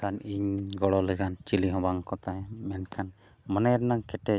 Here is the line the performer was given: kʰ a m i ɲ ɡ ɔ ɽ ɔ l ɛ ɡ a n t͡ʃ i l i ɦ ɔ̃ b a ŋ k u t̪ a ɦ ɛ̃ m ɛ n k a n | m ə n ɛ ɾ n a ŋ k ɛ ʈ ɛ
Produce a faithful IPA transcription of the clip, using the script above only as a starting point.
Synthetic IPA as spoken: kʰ a n i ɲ ɡ ɔ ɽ ɔ l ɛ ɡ a n t͡ʃ i l i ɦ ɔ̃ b a ŋ k ɔ t̪ a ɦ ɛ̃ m ɛ n kʰ a n | m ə n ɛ ɾ n a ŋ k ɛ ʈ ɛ